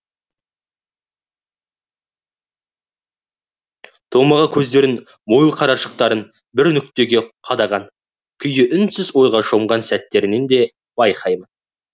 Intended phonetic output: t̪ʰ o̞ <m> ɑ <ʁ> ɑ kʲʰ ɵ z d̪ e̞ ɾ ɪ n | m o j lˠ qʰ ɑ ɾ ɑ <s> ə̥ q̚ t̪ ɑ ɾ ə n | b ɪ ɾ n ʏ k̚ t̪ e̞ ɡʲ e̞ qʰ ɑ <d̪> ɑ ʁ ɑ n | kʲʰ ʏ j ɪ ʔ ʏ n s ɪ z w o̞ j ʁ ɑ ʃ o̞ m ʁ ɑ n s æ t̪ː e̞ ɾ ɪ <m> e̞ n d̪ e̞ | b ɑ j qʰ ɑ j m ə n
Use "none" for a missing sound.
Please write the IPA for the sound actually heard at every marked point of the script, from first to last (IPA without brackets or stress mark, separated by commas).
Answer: m, ʁ, ʃ, d̪, n